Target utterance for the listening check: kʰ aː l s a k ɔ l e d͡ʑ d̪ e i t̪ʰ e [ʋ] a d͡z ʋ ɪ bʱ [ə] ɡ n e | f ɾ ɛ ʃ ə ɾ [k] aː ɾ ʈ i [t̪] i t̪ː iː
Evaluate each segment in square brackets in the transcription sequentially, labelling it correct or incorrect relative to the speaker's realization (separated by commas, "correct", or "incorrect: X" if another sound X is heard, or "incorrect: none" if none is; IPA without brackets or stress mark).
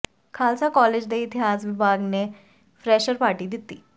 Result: incorrect: none, incorrect: a, incorrect: p, incorrect: d̪